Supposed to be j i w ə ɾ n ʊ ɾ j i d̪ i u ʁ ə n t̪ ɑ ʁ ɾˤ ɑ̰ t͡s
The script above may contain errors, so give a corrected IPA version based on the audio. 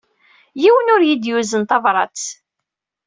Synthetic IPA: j i w ə n ʊ ɾ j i d̪ j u z ə n t̪ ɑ v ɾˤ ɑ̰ t͡s